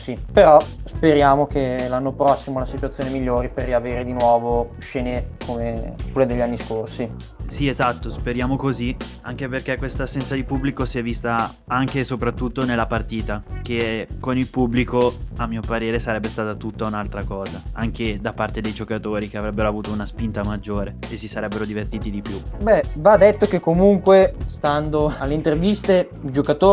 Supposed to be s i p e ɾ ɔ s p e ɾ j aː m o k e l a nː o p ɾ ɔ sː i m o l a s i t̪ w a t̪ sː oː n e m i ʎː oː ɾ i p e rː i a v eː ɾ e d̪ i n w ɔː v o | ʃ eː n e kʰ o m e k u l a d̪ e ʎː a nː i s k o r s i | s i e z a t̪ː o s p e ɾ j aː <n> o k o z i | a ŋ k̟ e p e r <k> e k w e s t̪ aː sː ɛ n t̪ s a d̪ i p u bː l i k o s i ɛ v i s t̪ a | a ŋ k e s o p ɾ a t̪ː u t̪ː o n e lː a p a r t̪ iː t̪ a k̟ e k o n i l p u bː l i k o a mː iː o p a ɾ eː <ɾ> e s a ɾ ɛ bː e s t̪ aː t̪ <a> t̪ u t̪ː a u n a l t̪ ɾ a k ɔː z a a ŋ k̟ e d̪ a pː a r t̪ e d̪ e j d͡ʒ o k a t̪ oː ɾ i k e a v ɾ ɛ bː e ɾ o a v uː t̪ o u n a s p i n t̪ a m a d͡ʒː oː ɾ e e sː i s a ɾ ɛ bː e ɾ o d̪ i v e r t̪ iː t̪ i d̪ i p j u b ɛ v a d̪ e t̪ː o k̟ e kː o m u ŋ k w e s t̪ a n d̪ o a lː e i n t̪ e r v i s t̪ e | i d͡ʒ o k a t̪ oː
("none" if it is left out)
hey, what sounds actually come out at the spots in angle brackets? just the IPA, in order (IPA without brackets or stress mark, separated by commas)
m, k, ɾ, a